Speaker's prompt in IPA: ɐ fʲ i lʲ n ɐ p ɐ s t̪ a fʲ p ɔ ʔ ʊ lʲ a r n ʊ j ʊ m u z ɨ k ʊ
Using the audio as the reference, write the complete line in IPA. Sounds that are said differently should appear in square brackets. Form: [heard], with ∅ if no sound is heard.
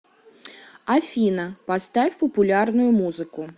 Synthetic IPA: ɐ fʲ i [∅] n ɐ p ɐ s t̪ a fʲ p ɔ [p] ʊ lʲ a r n ʊ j ʊ m u z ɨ k ʊ

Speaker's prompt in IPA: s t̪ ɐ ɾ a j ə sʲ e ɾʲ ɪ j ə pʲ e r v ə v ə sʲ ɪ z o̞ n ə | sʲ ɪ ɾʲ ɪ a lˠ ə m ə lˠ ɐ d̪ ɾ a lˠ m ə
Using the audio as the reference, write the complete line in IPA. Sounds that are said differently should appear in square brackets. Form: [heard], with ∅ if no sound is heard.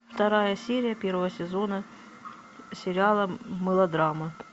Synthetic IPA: [f] t̪ ɐ ɾ a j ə sʲ e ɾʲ ɪ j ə pʲ e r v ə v ə sʲ ɪ z o̞ n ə | sʲ ɪ ɾʲ ɪ a lˠ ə m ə lˠ ɐ d̪ ɾ a [∅] m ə

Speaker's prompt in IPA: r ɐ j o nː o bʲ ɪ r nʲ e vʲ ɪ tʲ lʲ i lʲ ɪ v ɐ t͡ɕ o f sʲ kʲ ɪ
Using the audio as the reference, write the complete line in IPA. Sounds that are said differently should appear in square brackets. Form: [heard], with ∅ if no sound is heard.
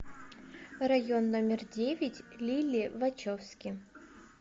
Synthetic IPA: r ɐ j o nː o [mʲ] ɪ r [dʲ] e vʲ ɪ tʲ lʲ i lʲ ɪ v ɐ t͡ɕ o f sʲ kʲ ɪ

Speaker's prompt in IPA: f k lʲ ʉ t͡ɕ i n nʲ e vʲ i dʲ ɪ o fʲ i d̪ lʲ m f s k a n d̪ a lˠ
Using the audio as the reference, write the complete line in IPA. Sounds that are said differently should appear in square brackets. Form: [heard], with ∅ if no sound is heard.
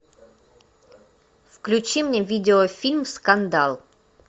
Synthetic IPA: f k lʲ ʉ t͡ɕ i [m] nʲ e vʲ i dʲ ɪ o fʲ i [∅] lʲ m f s k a n d̪ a lˠ

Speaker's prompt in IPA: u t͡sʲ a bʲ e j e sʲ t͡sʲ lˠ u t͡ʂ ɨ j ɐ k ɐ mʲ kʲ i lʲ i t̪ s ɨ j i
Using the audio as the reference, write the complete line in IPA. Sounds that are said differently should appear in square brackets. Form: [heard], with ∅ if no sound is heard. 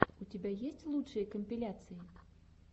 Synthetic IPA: u t͡sʲ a bʲ [a] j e sʲ t͡sʲ lˠ u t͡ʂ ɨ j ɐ k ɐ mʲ [pʲ] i lʲ [a] t̪ s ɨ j i

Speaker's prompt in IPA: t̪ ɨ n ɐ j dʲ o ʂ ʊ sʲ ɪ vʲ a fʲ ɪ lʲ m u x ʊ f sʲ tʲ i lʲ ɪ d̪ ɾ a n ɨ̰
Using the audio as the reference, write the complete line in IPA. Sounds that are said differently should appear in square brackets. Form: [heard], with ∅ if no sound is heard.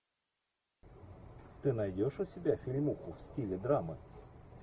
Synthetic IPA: t̪ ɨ n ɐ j dʲ o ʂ ʊ sʲ ɪ [bʲ] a fʲ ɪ lʲ m u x ʊ f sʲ tʲ i lʲ ɪ d̪ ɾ a [m] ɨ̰

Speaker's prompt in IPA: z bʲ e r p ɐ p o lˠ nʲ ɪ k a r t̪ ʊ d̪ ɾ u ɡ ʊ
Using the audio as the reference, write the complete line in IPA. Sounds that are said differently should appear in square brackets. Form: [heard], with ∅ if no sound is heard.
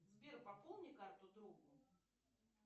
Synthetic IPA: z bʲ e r p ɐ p o lˠ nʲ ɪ k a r t̪ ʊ d̪ ɾ u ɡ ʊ

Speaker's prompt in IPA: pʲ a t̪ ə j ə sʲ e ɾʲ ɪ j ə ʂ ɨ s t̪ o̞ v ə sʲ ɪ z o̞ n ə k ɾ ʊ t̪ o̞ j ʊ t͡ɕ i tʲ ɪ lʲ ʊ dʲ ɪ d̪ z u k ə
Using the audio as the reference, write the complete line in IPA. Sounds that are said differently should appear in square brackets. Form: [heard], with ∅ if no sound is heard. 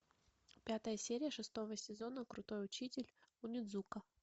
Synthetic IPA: pʲ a t̪ ə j ə sʲ e ɾʲ ɪ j ə ʂ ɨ s t̪ o̞ v ə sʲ ɪ z o̞ n ə k ɾ ʊ t̪ o̞ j ʊ t͡ɕ i tʲ ɪ lʲ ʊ [nʲ] ɪ d̪ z u k ə

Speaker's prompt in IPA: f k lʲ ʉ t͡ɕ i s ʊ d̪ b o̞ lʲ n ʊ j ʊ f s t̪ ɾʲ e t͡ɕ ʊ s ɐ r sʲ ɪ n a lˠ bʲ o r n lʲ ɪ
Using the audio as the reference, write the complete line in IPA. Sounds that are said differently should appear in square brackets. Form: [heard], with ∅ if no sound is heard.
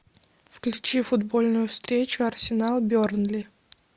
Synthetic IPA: f k lʲ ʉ t͡ɕ i [f] ʊ d̪ b o̞ lʲ n ʊ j ʊ f s t̪ ɾʲ e t͡ɕ ʊ [∅] ɐ r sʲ ɪ n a lˠ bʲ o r n lʲ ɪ

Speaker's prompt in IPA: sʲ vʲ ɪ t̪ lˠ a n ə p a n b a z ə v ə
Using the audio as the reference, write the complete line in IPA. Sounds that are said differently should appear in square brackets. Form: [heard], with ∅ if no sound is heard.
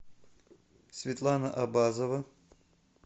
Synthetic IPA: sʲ vʲ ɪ t̪ lˠ a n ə [ʔ] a [∅] b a z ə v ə

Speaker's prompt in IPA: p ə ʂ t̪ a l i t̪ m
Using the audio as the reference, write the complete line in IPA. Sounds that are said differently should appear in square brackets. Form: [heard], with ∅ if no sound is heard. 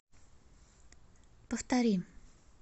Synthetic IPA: p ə [f] t̪ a [ɾ] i [∅] m

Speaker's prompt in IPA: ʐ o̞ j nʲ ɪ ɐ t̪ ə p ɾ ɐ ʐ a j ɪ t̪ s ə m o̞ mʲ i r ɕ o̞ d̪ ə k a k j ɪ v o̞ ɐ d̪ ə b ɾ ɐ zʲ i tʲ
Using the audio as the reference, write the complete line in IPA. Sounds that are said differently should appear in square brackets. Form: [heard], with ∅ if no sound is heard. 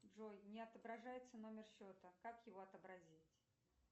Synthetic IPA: ʐ o̞ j nʲ ɪ ɐ t̪ ə [b] ɾ ɐ ʐ a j ɪ t̪ s ə [n] o̞ mʲ [ɪ] r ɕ o̞ [t̪] ə k a k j ɪ v o̞ ɐ [t̪] ə b ɾ ɐ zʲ i tʲ

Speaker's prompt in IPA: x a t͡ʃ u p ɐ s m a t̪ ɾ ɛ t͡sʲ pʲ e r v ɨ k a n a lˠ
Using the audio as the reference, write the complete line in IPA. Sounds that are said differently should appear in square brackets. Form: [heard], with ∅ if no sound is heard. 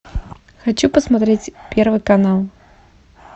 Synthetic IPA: x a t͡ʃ u p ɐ s m a t̪ ɾ ɛ t͡sʲ pʲ [ɛ] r v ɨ k a n a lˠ

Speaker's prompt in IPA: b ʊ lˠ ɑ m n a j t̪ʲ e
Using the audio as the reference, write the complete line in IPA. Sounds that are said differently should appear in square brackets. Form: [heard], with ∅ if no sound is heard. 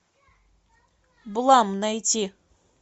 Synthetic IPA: b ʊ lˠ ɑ m n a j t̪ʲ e

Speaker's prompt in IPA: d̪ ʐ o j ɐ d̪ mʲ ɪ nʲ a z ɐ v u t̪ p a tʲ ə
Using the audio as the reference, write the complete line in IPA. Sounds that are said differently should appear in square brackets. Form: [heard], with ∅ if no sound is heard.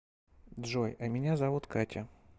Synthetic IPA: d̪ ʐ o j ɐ [∅] mʲ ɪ nʲ a z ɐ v u t̪ [k] a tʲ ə

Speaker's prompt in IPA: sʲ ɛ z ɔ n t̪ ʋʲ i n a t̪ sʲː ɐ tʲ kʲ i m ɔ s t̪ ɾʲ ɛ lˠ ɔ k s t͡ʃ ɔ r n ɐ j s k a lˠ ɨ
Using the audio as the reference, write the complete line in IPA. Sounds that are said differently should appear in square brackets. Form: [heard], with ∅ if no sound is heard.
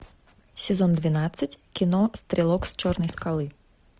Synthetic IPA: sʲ ɛ z ɔ n [d̪] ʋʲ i n a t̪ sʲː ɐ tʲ kʲ i [n] ɔ s t̪ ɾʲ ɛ lˠ ɔ k s t͡ʃ ɔ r n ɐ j s k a lˠ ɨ

